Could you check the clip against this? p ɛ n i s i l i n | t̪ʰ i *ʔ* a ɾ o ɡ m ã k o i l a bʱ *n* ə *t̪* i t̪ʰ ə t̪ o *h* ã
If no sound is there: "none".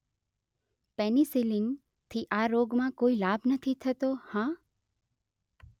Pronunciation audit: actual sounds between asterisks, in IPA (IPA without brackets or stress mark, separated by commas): ʔ, n, t̪ʰ, h